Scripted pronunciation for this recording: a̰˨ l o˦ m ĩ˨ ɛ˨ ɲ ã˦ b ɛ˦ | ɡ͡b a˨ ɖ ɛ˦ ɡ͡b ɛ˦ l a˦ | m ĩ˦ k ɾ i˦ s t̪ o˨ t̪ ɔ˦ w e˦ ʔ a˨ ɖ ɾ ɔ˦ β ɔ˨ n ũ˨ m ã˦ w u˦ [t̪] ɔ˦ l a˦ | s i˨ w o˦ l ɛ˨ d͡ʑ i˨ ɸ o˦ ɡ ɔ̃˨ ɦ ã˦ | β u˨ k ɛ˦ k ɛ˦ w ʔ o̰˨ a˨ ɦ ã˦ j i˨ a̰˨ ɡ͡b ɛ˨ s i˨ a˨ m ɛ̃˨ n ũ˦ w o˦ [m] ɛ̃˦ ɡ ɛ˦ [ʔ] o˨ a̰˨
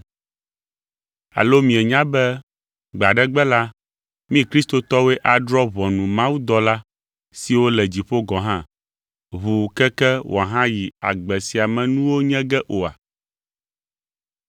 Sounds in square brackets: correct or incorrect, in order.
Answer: incorrect: d̪, incorrect: ɲ, correct

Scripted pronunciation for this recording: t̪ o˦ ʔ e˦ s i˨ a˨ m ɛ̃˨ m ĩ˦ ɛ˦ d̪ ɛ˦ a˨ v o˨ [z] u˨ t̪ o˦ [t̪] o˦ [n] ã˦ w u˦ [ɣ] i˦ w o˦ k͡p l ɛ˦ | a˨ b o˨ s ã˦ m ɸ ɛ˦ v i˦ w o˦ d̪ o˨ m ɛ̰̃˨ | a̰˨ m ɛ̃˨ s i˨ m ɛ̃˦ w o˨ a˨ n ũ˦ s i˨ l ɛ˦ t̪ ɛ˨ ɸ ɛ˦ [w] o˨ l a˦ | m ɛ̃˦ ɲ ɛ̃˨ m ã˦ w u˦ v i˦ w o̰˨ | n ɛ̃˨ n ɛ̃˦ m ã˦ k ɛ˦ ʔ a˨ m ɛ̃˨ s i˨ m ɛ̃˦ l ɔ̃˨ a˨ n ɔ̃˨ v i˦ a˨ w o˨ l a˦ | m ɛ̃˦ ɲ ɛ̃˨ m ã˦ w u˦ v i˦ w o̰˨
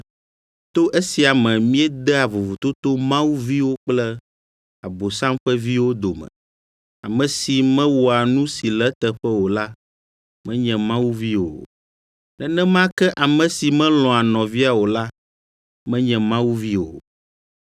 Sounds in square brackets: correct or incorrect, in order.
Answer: incorrect: v, correct, incorrect: m, incorrect: v, correct

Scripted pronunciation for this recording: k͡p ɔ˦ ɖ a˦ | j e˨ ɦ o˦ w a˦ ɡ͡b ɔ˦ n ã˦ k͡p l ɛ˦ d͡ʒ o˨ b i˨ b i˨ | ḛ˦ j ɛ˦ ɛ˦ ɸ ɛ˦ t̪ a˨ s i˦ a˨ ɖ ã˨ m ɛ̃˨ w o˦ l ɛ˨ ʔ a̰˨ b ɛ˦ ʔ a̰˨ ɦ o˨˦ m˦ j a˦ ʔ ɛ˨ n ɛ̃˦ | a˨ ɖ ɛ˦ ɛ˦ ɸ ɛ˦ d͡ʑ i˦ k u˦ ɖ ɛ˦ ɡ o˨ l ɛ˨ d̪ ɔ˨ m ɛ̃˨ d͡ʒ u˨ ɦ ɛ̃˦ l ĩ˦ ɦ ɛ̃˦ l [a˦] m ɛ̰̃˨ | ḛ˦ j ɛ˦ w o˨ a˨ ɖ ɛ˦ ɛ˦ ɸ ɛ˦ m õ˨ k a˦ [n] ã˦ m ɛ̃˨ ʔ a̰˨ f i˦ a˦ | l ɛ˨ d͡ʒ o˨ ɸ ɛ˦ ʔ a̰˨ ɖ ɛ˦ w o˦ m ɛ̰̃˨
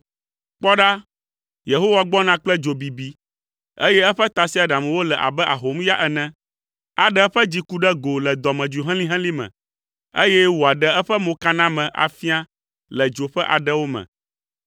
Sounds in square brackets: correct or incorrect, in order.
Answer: incorrect: i˦, correct

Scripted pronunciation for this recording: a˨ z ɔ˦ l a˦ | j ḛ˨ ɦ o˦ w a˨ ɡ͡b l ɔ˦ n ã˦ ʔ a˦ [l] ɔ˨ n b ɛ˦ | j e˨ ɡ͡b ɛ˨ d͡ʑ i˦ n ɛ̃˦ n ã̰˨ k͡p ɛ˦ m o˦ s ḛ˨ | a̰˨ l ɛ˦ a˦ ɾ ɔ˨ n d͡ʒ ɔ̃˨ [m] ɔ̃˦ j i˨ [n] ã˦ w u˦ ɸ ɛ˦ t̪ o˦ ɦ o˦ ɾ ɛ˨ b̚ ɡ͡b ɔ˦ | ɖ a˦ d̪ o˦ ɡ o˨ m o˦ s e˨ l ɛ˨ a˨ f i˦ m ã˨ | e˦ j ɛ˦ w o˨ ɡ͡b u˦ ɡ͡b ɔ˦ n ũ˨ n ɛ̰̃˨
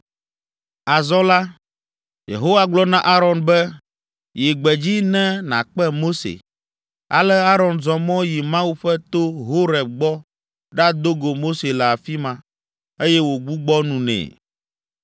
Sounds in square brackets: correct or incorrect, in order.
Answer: incorrect: ɾ, correct, incorrect: m

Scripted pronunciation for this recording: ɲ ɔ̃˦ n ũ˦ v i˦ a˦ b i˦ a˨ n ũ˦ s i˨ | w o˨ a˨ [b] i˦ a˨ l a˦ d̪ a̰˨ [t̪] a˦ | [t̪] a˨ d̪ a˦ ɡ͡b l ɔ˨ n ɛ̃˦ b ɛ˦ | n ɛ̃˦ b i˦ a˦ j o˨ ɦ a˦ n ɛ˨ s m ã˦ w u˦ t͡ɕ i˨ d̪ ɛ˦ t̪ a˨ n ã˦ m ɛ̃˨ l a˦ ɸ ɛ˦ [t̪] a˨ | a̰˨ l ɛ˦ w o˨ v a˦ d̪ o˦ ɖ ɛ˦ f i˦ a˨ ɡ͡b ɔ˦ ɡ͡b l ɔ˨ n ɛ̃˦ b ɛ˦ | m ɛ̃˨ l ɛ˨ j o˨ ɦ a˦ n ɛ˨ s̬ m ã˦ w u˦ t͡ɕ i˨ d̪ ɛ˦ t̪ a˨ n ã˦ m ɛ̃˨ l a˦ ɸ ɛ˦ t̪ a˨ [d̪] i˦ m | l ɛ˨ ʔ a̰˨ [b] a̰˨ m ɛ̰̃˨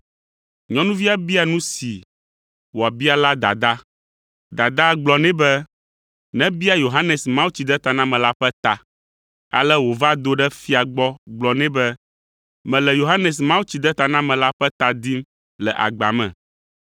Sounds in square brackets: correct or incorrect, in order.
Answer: correct, incorrect: d̪, incorrect: d̪, correct, correct, incorrect: ɡ͡b

